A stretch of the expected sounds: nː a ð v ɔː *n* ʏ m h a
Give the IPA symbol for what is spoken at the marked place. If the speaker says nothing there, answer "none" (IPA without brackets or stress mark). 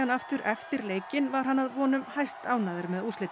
n